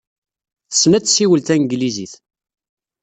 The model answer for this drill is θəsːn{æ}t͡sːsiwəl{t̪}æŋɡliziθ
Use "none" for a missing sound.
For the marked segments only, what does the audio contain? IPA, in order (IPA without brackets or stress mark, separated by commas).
æ, t̪